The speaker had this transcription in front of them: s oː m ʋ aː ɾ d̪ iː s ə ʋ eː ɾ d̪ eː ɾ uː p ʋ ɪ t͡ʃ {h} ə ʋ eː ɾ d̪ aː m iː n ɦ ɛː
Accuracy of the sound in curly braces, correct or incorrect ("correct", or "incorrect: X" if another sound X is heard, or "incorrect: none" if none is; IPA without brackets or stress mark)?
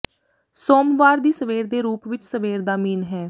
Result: incorrect: s